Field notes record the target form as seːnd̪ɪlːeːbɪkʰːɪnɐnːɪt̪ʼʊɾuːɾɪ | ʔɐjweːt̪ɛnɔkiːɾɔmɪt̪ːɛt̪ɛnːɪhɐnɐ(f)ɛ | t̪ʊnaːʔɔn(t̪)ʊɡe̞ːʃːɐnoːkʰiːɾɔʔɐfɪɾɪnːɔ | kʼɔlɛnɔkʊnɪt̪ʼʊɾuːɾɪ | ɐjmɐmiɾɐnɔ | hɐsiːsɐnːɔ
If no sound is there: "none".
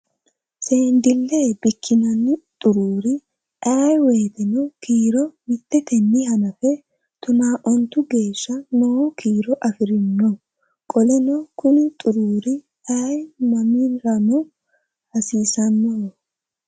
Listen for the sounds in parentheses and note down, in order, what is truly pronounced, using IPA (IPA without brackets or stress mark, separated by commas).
f, t̪